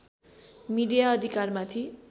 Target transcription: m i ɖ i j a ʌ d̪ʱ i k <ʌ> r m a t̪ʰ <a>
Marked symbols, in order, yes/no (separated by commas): no, no